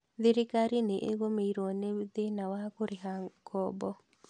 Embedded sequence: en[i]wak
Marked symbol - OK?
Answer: no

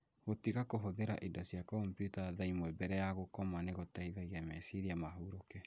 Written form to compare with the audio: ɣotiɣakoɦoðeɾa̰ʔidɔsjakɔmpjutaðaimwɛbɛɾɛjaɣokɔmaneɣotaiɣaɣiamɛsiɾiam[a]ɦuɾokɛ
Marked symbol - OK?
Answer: yes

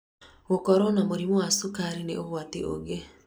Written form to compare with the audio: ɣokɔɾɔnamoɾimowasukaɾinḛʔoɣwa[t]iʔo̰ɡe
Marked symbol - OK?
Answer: yes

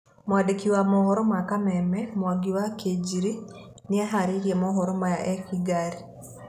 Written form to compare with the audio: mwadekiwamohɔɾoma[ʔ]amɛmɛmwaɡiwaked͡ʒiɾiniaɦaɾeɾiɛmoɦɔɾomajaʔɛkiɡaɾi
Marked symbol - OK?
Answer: no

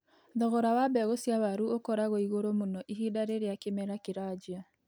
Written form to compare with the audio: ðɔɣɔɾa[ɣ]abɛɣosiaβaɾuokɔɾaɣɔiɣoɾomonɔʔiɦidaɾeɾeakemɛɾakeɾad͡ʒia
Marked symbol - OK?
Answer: no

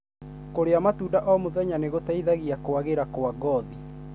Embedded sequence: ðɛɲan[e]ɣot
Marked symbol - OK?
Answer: yes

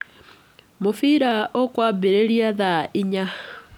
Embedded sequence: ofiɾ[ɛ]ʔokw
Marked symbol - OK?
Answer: no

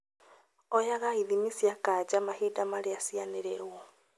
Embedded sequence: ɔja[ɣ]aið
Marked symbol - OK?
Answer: yes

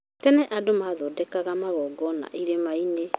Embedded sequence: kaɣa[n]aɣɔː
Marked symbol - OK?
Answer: no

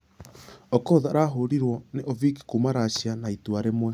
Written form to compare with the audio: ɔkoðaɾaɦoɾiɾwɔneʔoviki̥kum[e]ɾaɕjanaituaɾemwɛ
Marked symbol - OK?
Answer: no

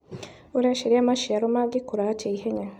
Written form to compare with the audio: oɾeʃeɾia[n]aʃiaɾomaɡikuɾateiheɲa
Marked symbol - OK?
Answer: no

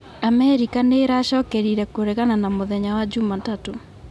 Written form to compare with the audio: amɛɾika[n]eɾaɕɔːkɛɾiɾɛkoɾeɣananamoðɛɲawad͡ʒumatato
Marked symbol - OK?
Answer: yes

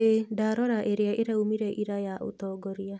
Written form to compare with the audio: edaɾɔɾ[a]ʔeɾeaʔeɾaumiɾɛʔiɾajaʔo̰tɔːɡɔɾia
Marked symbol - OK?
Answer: yes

